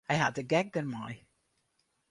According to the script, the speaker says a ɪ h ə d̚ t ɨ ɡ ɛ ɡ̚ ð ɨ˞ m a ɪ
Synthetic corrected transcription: a ɪ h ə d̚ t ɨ ɡ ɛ ɡ̚ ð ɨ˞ m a ɪ